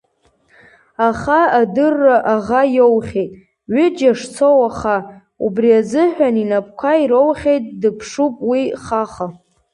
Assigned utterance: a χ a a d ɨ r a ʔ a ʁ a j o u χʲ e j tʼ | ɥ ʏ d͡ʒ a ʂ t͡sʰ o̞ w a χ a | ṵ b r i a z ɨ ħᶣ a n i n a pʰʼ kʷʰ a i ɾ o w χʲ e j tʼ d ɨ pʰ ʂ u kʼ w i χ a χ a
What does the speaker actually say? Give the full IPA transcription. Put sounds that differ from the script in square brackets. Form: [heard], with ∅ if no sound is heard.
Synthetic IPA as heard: a χ a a d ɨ [rː] a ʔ a ʁ a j o [w] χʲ e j tʼ | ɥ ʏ d͡ʒ a ʂ t͡sʰ o̞ w a χ a | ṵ b r i a z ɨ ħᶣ a n i n a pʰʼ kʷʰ a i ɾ o w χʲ e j tʼ d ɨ pʰ ʂ u [pʼ] w i χ a χ a

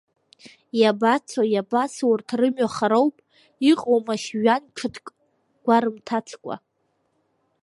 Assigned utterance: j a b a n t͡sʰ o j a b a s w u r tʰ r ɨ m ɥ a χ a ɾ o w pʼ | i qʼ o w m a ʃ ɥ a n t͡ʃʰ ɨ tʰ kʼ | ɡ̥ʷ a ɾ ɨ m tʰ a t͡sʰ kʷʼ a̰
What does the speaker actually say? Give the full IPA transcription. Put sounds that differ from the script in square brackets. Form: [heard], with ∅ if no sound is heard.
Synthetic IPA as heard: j a b a [∅] t͡sʰ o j a b a s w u r tʰ r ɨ m ɥ a χ a ɾ o w pʼ | i qʼ o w m a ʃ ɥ a n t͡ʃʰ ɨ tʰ kʼ | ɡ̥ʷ a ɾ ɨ m tʰ a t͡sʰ kʷʼ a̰

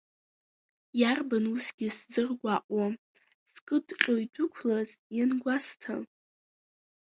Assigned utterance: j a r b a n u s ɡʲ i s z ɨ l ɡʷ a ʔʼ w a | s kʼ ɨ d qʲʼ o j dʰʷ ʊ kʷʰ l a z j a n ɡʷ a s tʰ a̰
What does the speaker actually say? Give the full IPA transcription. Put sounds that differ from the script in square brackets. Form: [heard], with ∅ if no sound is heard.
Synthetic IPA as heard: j a r b a n u s ɡʲ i s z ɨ [r] ɡʷ a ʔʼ w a | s kʼ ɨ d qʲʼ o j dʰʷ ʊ kʷʰ l a z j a n ɡʷ a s tʰ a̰

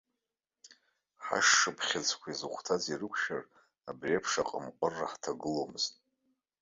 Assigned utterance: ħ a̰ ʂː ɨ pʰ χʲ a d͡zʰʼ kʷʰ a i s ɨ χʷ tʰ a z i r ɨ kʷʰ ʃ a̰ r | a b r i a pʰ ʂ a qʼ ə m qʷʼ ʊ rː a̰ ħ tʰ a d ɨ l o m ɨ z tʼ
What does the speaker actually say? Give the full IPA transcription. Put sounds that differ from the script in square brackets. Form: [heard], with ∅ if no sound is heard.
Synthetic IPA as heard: ħ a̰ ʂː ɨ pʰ χʲ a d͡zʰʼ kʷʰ a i [z] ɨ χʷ tʰ a z i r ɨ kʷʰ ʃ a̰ r | a b r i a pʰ ʂ a qʼ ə m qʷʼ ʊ rː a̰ ħ tʰ a [ɡ] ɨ l o m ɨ z tʼ

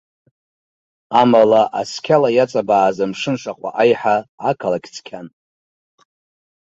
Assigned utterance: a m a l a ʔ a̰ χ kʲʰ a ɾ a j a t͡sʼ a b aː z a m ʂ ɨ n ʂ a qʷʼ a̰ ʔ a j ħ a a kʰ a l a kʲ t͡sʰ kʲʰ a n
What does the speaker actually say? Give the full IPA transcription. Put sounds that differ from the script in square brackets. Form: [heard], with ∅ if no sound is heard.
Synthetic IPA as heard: a m a l a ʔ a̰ [s] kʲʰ a [l] a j a t͡sʼ a b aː z a m ʂ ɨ n ʂ a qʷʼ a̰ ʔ a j ħ a a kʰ a l a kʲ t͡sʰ kʲʰ a n

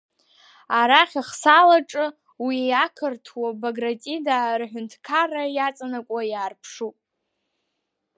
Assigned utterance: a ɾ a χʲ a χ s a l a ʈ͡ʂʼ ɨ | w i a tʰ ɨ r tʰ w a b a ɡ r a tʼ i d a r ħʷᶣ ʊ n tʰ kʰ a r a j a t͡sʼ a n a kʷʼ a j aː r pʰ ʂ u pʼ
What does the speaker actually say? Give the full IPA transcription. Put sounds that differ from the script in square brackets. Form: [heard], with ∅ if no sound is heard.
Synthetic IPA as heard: a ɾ a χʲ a χ s a l a ʈ͡ʂʼ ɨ | w i a [kʰ] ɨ r tʰ w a b a ɡ r a tʼ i d a r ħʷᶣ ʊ n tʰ kʰ a r a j a t͡sʼ a n a kʷʼ a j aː r pʰ ʂ u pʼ

